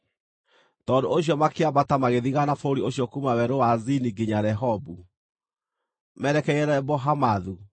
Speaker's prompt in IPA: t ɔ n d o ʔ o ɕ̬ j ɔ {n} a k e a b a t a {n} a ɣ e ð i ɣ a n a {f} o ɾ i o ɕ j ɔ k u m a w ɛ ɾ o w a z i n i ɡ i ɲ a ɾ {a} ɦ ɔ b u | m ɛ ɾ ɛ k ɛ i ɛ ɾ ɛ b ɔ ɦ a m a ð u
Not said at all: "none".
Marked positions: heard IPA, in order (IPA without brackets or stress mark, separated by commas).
m, m, f, ɛ